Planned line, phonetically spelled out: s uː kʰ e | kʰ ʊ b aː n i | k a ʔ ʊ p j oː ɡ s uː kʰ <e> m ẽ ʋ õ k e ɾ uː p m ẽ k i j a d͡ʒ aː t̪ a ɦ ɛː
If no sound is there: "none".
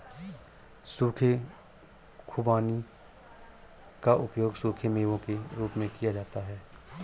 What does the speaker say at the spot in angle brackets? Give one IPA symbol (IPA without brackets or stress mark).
e